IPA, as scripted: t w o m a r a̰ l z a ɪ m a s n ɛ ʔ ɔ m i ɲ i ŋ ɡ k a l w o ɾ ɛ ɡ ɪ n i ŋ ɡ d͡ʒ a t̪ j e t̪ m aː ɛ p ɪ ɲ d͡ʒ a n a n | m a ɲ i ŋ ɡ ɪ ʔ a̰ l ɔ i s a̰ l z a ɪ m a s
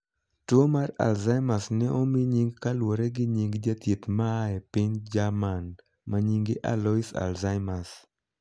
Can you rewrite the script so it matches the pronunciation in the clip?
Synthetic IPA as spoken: t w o m a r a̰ l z a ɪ m a s n ɛ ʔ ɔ m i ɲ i ŋ ɡ k a l w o ɾ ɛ ɡ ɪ ɲ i ŋ ɡ d͡ʒ a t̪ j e t̪ m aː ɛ p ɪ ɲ d͡ʒ a m a n | m a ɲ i ŋ ɡ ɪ ʔ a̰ l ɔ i s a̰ l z a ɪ m a s

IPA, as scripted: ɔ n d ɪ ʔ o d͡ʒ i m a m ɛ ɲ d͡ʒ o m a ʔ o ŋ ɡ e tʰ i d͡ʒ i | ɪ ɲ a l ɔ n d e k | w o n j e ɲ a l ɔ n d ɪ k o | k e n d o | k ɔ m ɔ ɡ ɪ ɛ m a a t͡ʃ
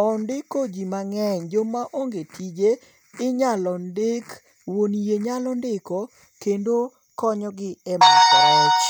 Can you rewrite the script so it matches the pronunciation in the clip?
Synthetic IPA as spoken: ɔ n d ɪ k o d͡ʒ i m a ŋ ɛ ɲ d͡ʒ o m a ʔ o ŋ ɡ e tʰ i d͡ʒ e | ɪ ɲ a l ɔ n d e k | w o n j e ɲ a l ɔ n d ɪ k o | k e n d o | k ɔ ɲ ɔ ɡ ɪ ɛ m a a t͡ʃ

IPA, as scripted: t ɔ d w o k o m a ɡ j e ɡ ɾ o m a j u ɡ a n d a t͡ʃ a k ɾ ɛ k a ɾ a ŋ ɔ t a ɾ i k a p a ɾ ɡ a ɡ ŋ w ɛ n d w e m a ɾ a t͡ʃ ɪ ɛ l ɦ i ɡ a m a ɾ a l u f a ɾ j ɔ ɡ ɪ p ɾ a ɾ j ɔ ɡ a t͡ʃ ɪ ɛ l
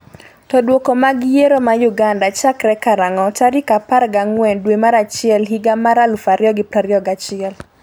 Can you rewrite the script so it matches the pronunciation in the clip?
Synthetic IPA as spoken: t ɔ d w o k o m a ɡ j e ɾ o m a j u ɡ a n d a t͡ʃ a k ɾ ɛ k a ɾ a ŋ ɔ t a ɾ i k a p a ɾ ɡ a ŋ w ɛ n d w e m a ɾ a t͡ʃ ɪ ɛ l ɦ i ɡ a m a ɾ a l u f a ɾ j ɔ ɡ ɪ p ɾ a ɾ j ɔ ɡ a t͡ʃ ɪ ɛ l

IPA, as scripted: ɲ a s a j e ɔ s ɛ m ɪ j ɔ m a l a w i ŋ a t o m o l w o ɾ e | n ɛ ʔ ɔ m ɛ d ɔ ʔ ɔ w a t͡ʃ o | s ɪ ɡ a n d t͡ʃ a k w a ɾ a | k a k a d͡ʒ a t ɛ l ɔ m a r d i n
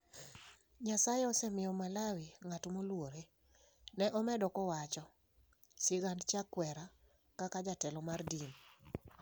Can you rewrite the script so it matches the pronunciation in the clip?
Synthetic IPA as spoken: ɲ a s a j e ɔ s ɛ m ɪ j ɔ m a l a w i ŋ a t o m o l w o ɾ e | n ɛ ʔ ɔ m ɛ d ɔ k ɔ w a t͡ʃ ɔ | s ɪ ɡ a n d t͡ʃ a k w ɛ ɾ a | k a k a d͡ʒ a t ɛ l ɔ m a r d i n

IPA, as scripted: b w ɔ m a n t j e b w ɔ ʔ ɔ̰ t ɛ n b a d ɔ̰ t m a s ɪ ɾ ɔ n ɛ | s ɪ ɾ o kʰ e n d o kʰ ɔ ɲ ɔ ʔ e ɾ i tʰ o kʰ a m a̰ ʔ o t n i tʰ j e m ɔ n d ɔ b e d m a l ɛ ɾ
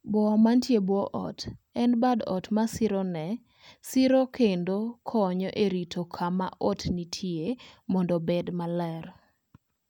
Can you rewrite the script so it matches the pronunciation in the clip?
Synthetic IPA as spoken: b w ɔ m a n t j e b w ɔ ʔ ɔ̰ t ɛ n b a d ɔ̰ t m a s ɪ ɾ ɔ n ɛ | s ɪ ɾ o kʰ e n d o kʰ ɔ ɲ ɔ ʔ e ɾ i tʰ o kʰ a m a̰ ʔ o t n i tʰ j e m ɔ n d ɔ b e d m a l ɛ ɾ

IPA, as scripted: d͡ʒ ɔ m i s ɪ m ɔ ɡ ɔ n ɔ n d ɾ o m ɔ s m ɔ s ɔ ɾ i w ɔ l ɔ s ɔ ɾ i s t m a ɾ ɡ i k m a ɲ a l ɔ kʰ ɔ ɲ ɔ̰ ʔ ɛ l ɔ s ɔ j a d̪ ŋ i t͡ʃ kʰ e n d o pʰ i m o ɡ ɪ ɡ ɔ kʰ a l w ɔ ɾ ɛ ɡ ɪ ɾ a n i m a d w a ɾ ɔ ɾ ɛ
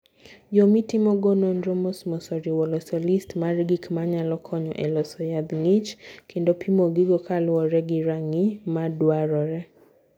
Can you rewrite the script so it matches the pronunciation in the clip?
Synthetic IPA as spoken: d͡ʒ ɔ m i t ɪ m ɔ ɡ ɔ n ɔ n d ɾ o m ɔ s m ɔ s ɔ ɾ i w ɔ l ɔ s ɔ l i s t m a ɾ ɡ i k m a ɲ a l ɔ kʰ ɔ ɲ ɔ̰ ʔ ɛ l ɔ s ɔ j a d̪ ŋ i t͡ʃ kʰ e n d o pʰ i m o ɡ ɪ ɡ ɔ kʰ a l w ɔ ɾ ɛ ɡ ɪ ɾ a ŋ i m a d w a ɾ ɔ ɾ ɛ

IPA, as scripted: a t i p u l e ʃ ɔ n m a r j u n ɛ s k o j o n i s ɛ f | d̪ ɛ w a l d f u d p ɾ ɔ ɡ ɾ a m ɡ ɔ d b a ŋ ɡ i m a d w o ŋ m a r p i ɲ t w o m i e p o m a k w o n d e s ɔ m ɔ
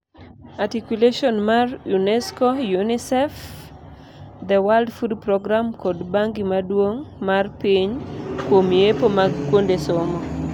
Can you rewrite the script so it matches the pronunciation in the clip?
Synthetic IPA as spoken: a t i k u l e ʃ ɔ n m a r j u n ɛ s k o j u n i s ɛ f | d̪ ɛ w a l d f u d p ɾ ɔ ɡ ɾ a m k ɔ d b a ŋ ɡ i m a d w o ŋ m a r p i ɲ k w o m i e p o m a k w o n d e s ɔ m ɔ

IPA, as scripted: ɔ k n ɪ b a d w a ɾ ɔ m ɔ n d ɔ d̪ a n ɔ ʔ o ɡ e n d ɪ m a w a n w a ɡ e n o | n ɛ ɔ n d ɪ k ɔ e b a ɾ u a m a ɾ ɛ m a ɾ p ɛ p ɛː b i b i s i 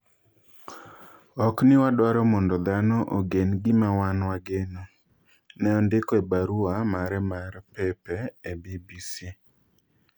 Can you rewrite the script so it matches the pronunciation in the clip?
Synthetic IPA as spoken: ɔ k n ɪ w a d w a ɾ ɔ m ɔ n d ɔ d̪ a n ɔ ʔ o ɡ e n ɡ ɪ m a w a n w a ɡ e n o | n ɛ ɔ n d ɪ k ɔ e b a ɾ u a m a ɾ ɛ m a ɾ p ɛ p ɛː b i b i s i

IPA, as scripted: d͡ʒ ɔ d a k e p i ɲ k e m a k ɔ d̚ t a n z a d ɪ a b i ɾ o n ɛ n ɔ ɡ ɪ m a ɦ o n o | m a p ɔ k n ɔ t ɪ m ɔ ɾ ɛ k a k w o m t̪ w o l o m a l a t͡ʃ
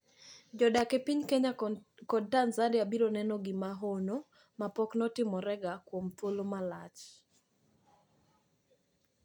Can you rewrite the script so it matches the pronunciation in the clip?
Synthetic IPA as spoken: d͡ʒ ɔ d a k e p i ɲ k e ɲ a k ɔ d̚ t a n z a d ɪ a b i ɾ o n ɛ n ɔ ɡ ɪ m a ɦ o n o | m a p ɔ k n ɔ t ɪ m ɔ ɾ ɛ ɡ a k w o m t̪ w o l o m a l a t͡ʃ

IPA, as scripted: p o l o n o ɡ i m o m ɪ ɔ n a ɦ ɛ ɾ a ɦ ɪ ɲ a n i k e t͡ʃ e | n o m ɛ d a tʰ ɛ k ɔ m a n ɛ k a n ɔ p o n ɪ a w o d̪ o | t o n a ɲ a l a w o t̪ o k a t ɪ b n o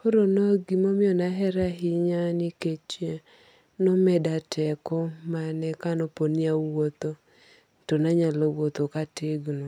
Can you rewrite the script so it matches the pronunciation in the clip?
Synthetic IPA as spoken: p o ɾ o n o ɡ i m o m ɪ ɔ n a ɦ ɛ ɾ a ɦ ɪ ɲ a n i k e t͡ʃ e | n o m ɛ d a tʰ ɛ k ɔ m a n ɛ k a n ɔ p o n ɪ a w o t̪ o | t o n a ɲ a l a w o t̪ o k a t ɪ ɡ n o

